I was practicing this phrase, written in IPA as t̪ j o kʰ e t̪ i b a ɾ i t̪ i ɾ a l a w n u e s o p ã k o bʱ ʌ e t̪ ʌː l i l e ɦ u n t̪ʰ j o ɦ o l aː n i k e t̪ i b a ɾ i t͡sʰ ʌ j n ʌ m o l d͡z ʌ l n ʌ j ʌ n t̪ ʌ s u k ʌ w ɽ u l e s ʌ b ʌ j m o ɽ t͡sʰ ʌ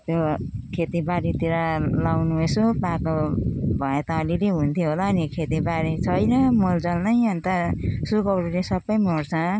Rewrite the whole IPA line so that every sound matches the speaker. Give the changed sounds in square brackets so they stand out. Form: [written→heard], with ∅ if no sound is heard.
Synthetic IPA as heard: t̪ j o kʰ e t̪ i b a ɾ i t̪ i ɾ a l a w n u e s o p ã k o bʱ ʌ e t̪ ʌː l i l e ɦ u n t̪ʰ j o ɦ o l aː n i [k→kʰ] e t̪ i b a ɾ i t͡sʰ ʌ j n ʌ m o l d͡z ʌ l n ʌ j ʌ n t̪ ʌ s u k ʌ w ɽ u l e s ʌ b ʌ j m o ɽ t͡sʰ ʌ